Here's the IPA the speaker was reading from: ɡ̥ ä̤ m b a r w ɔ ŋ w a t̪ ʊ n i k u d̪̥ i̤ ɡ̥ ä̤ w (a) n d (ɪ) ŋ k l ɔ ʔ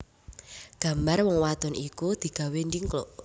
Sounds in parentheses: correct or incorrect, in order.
incorrect: e, incorrect: i

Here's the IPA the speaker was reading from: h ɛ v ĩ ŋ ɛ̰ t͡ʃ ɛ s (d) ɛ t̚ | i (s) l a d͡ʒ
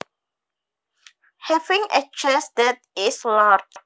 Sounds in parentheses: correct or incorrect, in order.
correct, correct

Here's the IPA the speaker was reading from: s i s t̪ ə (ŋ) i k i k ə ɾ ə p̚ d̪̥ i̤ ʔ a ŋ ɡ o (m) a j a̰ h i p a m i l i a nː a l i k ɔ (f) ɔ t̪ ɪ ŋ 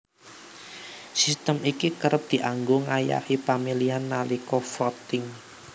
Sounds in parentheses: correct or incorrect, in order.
incorrect: m, incorrect: ŋ, correct

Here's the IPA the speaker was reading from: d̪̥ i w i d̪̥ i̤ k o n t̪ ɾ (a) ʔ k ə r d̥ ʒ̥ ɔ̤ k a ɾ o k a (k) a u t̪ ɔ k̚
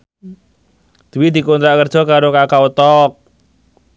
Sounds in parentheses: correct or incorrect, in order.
correct, correct

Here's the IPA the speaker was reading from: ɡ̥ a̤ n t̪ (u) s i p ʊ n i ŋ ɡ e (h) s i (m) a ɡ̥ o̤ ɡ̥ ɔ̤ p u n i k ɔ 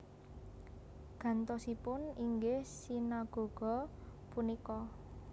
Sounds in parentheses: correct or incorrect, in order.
incorrect: ɔ, correct, incorrect: n

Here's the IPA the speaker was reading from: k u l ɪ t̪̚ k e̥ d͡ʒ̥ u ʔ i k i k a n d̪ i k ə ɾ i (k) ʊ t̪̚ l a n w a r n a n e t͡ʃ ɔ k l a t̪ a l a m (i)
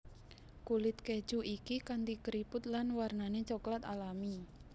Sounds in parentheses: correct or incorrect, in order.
incorrect: p, correct

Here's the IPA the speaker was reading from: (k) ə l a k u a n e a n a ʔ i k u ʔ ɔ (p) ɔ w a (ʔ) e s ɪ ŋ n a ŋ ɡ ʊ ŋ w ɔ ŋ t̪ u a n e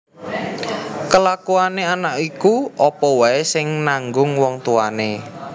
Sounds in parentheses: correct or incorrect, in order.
correct, correct, incorrect: none

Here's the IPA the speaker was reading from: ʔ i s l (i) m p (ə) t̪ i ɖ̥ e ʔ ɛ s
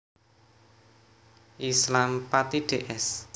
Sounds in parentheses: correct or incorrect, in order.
incorrect: a, incorrect: a

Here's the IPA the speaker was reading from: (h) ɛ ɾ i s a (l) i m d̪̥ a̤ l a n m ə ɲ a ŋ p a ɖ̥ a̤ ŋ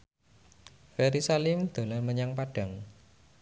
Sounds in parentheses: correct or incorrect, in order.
incorrect: f, correct

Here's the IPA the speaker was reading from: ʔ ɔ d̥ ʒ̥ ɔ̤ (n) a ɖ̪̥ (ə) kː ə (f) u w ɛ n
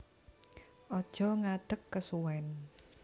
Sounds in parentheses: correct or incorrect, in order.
incorrect: ŋ, correct, incorrect: s

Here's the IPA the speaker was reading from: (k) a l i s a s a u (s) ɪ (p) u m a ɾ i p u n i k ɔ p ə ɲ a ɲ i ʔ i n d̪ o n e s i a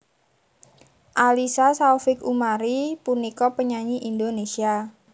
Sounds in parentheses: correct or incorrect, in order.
incorrect: ʔ, incorrect: f, incorrect: k

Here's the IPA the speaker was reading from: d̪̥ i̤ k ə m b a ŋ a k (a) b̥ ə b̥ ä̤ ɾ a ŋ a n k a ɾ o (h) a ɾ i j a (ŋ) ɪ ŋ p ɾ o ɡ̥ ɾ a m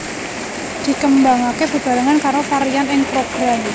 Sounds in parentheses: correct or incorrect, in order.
incorrect: e, incorrect: f, incorrect: n

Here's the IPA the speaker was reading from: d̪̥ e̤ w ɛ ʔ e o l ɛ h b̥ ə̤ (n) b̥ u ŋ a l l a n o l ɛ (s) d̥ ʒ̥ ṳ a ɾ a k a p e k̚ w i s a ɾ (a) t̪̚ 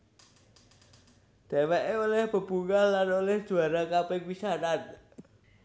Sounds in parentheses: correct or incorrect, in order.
incorrect: none, incorrect: h, correct

